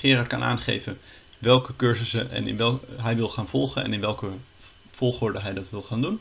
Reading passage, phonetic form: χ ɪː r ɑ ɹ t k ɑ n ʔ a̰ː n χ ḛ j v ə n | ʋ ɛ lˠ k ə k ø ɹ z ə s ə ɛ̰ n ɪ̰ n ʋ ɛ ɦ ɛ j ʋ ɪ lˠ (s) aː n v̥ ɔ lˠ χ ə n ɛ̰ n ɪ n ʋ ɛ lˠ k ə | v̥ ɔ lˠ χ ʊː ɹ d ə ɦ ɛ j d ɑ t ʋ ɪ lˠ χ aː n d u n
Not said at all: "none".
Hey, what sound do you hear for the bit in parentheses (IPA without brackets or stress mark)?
χ